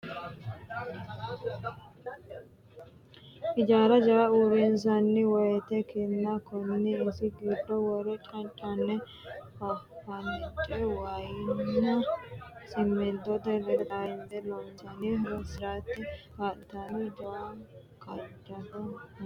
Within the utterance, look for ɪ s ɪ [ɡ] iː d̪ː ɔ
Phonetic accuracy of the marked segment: correct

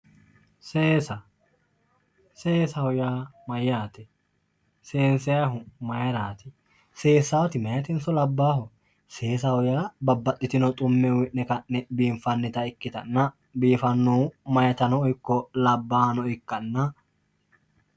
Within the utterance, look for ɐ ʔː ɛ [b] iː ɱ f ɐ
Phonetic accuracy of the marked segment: correct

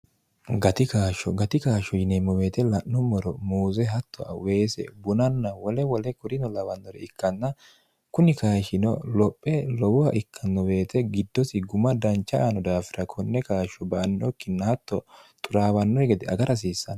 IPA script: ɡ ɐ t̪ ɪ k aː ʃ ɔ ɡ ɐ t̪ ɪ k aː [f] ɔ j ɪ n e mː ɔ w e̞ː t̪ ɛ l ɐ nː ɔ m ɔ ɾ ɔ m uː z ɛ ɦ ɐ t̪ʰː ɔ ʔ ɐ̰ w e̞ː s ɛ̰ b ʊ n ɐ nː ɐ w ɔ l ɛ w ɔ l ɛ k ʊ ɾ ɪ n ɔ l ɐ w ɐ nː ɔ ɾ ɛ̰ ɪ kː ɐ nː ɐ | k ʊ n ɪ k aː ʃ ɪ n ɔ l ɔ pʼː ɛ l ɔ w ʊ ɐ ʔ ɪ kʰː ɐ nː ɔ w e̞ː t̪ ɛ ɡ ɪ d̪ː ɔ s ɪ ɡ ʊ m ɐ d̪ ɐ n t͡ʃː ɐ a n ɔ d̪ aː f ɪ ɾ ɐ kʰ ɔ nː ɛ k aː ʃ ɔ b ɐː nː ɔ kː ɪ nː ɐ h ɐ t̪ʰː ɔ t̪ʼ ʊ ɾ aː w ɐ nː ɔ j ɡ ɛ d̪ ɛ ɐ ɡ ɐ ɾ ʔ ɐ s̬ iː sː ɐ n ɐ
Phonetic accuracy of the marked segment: incorrect: ʃ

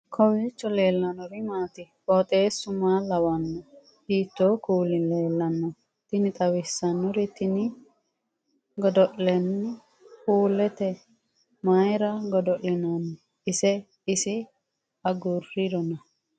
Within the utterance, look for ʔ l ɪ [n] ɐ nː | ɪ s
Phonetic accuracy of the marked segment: correct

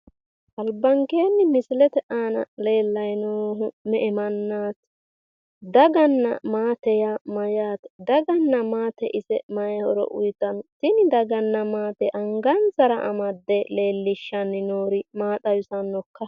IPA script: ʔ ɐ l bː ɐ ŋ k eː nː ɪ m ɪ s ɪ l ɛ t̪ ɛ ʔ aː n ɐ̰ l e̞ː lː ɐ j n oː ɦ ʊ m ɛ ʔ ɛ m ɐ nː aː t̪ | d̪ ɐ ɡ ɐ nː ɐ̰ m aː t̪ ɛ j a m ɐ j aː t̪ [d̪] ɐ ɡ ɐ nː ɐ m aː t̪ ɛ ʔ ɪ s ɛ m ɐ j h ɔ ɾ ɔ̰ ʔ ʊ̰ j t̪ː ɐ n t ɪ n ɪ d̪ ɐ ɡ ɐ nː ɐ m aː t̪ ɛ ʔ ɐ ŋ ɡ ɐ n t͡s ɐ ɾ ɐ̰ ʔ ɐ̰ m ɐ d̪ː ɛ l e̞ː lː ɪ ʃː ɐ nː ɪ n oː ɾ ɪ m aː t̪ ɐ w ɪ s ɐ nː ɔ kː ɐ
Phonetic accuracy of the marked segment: correct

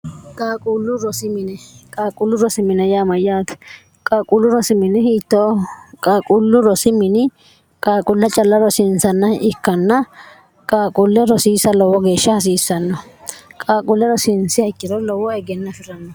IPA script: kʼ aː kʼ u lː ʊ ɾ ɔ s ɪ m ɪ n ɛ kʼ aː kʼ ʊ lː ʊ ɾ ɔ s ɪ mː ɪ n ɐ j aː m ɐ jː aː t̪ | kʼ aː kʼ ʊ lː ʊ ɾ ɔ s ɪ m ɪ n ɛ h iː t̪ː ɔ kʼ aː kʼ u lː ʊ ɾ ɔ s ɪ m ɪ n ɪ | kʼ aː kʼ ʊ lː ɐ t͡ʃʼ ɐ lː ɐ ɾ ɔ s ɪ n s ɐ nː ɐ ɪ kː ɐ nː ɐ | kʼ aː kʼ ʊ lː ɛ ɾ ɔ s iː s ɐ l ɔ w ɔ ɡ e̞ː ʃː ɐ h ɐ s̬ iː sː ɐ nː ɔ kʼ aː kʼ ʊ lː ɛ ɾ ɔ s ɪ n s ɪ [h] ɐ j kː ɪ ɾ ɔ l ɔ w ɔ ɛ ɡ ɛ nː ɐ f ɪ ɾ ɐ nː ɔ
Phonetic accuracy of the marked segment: correct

